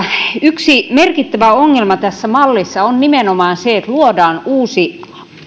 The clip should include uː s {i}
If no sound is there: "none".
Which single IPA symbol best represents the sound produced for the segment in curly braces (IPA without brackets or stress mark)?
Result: i